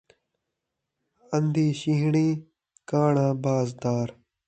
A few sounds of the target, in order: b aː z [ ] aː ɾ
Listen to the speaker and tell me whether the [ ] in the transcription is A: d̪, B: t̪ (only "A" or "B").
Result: A